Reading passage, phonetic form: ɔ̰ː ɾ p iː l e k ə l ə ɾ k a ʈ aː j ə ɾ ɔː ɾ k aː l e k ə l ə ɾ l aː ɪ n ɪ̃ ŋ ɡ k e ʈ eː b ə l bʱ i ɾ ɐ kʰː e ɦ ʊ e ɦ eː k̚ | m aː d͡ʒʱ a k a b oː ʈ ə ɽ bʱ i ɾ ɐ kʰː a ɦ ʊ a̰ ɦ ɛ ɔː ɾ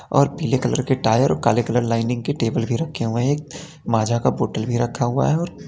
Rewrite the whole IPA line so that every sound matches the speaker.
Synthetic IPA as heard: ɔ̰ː ɾ p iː l e k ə l ə ɾ k e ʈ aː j ə ɾ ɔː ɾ k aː l e k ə l ə ɾ l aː ɪ n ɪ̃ ŋ ɡ k e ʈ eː b ə l bʱ i ɾ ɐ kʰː e ɦ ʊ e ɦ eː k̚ | m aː d͡ʒʱ a k a b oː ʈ ə l bʱ i ɾ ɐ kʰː a ɦ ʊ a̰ ɦ ɛ ɔː ɾ